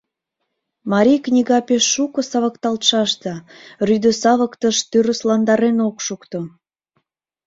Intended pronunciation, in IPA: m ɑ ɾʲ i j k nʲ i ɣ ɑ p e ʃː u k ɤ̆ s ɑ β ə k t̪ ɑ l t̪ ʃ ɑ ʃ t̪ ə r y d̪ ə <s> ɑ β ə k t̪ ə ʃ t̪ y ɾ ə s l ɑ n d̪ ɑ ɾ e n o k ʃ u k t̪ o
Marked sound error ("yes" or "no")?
no